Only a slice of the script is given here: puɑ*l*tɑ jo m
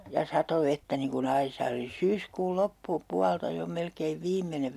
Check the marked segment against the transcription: correct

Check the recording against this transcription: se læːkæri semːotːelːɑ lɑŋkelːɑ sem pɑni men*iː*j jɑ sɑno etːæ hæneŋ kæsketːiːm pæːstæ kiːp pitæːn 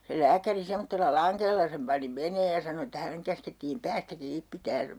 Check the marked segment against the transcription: incorrect: eː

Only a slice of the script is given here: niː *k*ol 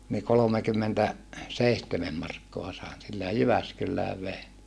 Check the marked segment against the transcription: correct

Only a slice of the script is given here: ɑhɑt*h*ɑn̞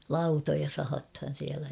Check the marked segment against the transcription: correct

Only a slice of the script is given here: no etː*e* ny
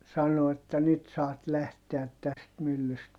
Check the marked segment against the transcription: incorrect: æ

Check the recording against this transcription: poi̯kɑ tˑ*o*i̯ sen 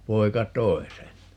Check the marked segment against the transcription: correct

